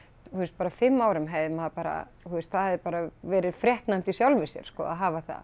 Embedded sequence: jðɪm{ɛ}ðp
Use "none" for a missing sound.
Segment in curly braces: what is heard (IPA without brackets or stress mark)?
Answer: a